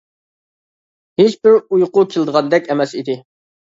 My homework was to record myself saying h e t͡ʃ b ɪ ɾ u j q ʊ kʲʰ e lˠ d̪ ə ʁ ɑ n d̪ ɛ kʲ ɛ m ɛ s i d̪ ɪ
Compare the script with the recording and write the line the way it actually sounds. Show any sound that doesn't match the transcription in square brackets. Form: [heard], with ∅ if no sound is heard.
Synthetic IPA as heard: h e t͡ʃ b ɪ ɾ u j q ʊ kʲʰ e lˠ d̪ ə ʁ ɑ n d̪ ɛ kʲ ɛ m ɛ s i d̪ ɪ